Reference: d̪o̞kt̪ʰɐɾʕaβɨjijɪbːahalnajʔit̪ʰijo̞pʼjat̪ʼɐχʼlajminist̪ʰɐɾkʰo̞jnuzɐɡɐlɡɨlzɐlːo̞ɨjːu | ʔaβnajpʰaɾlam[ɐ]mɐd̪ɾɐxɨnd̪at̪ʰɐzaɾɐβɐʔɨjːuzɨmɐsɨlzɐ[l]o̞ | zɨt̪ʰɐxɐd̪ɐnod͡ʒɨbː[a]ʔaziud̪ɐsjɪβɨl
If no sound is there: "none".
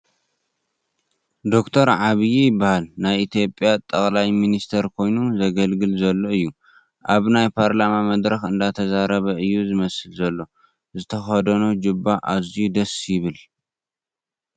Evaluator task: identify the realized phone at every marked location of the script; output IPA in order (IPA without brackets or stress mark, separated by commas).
a, lː, a